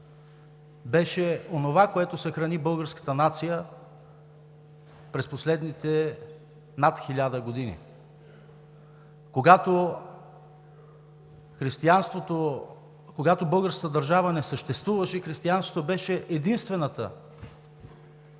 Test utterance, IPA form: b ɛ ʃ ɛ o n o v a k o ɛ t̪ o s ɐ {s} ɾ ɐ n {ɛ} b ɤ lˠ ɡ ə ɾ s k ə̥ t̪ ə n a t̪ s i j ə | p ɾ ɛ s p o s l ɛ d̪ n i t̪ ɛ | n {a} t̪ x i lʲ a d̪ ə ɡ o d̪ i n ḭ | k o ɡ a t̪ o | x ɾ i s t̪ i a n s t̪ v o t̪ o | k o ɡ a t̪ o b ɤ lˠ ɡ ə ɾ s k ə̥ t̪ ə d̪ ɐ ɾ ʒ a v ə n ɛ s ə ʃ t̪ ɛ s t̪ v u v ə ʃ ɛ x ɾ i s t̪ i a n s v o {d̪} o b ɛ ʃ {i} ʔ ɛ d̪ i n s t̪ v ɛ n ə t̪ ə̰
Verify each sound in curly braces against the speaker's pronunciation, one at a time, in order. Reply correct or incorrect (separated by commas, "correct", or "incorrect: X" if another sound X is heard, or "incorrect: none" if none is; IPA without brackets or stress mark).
incorrect: x, incorrect: i, correct, incorrect: t̪, incorrect: ɛ